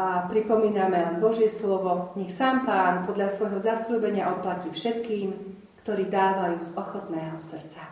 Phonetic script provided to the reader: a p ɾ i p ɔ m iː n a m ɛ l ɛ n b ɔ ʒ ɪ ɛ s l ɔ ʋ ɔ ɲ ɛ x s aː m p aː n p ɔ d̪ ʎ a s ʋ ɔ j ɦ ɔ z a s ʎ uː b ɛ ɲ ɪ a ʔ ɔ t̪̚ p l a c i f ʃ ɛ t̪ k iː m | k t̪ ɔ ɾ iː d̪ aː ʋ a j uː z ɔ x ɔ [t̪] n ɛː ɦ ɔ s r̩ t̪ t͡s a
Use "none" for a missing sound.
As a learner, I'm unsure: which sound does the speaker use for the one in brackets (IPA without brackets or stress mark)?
t̪